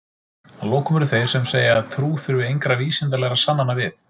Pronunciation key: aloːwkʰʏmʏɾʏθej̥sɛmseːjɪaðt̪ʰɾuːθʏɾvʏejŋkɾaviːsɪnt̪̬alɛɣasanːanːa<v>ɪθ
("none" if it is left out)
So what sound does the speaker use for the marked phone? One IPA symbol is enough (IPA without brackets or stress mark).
v